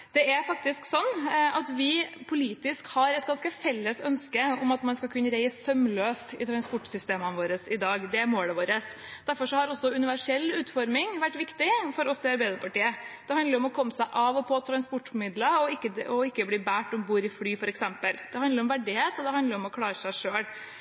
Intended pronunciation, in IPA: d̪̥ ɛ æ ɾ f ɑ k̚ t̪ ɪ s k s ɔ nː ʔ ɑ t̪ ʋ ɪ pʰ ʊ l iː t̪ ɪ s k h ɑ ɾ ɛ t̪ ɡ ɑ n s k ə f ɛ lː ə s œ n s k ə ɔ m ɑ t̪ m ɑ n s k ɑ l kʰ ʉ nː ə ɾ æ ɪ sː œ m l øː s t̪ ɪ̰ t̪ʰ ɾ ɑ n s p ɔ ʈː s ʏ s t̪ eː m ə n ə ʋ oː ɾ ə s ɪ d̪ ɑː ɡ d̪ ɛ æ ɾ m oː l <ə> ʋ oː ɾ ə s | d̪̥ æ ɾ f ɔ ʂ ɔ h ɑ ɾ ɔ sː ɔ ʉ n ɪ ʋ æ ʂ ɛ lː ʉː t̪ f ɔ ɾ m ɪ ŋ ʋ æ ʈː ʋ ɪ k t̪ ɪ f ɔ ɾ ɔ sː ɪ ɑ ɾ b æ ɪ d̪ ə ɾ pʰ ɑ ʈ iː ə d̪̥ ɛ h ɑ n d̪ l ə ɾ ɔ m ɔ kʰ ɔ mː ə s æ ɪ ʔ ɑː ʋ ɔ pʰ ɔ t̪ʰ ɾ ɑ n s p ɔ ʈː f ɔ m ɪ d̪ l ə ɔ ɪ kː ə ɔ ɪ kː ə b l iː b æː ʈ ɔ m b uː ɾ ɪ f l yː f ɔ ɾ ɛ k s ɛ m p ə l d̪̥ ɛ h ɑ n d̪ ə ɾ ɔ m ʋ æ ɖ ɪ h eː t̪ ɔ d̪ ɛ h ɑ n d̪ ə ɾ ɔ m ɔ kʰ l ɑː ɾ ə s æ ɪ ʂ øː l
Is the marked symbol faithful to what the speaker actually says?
yes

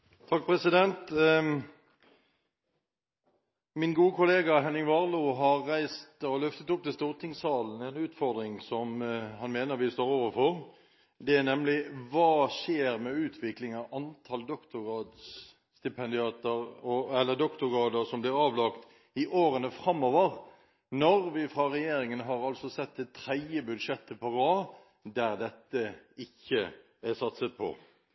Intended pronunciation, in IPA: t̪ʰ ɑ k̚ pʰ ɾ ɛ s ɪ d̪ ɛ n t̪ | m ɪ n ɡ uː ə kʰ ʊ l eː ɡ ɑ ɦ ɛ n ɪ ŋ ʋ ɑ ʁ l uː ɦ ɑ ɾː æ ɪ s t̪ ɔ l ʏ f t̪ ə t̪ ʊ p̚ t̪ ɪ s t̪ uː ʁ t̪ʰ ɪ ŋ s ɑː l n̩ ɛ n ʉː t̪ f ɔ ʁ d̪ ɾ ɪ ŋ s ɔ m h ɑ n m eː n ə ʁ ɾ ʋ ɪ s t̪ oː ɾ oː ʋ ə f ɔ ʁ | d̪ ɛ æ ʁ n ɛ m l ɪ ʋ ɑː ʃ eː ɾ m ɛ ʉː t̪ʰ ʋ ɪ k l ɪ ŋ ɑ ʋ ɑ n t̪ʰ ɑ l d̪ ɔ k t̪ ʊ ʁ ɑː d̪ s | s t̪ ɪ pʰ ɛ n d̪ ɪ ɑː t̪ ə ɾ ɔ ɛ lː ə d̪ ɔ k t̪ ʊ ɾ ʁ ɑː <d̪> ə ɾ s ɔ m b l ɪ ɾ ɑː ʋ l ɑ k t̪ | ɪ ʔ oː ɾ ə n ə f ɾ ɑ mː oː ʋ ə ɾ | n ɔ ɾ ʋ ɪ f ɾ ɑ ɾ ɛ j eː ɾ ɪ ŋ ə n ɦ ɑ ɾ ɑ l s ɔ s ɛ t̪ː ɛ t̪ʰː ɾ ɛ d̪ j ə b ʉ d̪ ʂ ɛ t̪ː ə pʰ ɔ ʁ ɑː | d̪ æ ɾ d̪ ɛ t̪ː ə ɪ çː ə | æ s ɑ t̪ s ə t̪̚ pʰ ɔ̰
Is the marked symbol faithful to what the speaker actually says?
yes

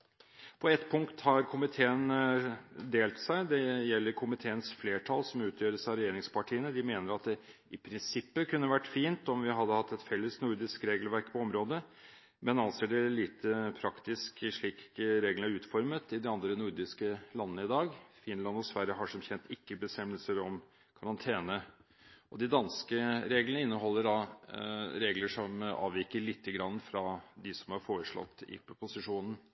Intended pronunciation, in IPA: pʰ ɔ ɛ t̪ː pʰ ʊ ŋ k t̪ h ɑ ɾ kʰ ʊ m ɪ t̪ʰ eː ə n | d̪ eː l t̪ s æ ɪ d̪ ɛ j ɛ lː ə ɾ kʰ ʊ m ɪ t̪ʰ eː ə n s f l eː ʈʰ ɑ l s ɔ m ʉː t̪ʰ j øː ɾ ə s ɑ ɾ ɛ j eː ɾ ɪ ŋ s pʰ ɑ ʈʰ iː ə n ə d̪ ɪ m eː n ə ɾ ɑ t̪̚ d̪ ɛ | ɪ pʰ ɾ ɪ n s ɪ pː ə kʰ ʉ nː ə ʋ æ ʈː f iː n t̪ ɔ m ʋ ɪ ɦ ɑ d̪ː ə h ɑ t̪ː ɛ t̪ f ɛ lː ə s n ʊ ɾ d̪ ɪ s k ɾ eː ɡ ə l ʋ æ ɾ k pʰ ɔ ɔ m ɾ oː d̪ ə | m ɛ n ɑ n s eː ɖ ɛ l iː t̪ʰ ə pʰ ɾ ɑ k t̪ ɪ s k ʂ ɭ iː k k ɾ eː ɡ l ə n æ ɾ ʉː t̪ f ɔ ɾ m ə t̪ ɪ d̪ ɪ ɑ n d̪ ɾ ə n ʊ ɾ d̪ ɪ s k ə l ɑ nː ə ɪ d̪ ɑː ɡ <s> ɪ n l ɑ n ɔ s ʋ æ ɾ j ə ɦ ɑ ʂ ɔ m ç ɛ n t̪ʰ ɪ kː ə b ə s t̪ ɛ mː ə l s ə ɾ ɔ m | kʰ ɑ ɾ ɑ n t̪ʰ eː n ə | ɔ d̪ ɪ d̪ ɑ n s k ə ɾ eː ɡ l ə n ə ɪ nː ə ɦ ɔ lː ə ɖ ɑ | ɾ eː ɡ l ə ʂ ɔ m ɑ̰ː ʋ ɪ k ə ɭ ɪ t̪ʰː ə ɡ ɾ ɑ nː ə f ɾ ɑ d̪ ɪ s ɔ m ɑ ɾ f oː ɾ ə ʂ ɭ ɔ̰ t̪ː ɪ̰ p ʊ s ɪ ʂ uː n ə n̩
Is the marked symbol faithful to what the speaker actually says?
no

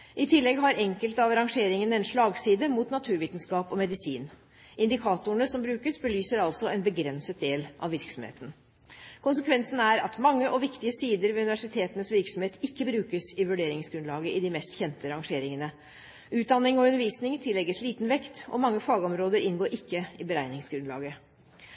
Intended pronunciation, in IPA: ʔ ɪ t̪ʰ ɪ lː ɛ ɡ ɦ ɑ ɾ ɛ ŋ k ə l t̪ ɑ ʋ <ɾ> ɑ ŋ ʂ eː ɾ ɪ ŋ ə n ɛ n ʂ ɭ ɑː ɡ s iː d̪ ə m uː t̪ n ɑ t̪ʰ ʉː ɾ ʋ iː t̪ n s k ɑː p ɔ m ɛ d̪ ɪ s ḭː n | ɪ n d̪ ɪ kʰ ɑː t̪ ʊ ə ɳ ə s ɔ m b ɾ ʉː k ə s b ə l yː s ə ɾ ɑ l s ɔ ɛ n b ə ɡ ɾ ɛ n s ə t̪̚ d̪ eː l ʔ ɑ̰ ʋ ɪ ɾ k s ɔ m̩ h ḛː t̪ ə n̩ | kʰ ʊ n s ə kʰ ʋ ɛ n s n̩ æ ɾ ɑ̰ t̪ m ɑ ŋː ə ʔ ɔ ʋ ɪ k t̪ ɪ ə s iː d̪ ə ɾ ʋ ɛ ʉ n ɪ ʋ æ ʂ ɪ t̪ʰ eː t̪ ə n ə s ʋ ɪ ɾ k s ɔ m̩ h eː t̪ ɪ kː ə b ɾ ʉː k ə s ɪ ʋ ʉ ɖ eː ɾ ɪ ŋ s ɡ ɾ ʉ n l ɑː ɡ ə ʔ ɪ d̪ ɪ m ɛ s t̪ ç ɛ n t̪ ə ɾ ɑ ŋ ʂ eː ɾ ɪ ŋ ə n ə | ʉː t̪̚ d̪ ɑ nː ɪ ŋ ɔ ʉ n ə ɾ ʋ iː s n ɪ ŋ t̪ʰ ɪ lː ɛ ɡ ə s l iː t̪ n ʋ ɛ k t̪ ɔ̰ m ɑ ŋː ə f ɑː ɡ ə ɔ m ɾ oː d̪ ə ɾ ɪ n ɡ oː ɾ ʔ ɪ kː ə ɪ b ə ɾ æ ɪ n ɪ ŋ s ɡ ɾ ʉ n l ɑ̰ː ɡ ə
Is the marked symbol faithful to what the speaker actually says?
yes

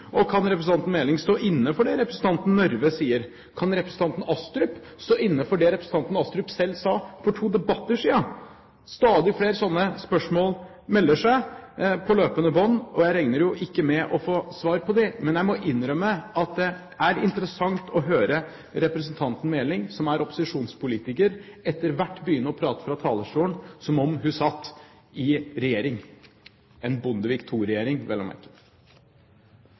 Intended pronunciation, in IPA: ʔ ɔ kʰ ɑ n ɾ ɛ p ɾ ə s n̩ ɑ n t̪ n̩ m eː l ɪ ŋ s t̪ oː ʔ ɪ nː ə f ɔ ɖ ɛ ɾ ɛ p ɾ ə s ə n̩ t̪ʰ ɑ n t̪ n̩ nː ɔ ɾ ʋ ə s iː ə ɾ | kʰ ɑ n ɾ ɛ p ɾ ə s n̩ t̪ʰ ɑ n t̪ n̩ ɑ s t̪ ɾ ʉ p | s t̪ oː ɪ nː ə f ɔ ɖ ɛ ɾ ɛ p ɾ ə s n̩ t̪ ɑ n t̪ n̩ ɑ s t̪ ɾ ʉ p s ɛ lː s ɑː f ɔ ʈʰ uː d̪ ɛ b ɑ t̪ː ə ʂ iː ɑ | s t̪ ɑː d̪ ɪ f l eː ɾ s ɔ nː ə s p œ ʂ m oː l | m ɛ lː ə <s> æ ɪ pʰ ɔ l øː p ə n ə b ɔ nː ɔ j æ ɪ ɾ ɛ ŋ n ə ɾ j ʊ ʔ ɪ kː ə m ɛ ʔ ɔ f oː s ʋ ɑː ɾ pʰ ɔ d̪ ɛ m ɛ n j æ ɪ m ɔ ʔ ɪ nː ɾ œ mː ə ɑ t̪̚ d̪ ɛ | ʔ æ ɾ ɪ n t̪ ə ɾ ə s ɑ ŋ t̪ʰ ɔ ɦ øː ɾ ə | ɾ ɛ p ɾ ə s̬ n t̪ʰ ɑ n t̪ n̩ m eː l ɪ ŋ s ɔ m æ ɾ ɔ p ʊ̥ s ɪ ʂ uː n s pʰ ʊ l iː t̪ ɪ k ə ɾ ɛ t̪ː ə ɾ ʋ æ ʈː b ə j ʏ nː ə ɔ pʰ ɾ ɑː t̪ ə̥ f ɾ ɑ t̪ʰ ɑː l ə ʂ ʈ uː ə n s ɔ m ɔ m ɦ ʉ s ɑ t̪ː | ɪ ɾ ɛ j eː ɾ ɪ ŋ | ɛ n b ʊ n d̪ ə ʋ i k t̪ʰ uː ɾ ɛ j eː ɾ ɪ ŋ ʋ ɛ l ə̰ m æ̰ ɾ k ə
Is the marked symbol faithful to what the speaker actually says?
no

